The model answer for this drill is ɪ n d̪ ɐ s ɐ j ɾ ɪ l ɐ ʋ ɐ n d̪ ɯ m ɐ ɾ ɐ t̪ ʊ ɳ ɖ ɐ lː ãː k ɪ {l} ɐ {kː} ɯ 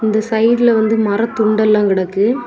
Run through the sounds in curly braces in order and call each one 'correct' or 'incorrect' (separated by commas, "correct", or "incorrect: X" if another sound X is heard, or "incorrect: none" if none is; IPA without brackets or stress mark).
incorrect: ɽ, correct